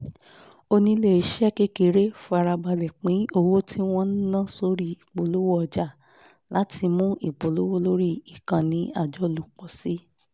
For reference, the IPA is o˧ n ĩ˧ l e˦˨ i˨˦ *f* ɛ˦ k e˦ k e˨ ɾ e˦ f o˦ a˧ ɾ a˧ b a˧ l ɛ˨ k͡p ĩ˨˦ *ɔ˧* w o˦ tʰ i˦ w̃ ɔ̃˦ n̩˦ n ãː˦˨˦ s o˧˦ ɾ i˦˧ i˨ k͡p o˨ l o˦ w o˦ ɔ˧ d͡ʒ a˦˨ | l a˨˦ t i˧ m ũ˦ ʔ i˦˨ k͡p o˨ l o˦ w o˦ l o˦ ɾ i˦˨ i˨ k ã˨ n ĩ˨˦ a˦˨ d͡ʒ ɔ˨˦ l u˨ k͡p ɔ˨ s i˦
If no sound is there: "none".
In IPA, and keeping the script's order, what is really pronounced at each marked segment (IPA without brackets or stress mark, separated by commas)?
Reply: ʃ, o˧